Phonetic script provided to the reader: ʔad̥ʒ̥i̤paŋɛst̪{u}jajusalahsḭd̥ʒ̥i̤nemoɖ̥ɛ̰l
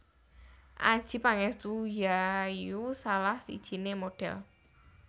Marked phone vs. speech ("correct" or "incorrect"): correct